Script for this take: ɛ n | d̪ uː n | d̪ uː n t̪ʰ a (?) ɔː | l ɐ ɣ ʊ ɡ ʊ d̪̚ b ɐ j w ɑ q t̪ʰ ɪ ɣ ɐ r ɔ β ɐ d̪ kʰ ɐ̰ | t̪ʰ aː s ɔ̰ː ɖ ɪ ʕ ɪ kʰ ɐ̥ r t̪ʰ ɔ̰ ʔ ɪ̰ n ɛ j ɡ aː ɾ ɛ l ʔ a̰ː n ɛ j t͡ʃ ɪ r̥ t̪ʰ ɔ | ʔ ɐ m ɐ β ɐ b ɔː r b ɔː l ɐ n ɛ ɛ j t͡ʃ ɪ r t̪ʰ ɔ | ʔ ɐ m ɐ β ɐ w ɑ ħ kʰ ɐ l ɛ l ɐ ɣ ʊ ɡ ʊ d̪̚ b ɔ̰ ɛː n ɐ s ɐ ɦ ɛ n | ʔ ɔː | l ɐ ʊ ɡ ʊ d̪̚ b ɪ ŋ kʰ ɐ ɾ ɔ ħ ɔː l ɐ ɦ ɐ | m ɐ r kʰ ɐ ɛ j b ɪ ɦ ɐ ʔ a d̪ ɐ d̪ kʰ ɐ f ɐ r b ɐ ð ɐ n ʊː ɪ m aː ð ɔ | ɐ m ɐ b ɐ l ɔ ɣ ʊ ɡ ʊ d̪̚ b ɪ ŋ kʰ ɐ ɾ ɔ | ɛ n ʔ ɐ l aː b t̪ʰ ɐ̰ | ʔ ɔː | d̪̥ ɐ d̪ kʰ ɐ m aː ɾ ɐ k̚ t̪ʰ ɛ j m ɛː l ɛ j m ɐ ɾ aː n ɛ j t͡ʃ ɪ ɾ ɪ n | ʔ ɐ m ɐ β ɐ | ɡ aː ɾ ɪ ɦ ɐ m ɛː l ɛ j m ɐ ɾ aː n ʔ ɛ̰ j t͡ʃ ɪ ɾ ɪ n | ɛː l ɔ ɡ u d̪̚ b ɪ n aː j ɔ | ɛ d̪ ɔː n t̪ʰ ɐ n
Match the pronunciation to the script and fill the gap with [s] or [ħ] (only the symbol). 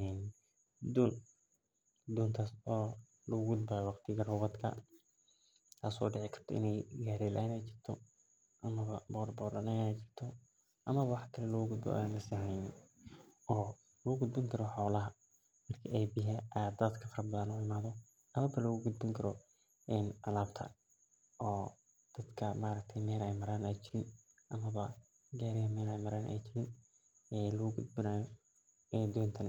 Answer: s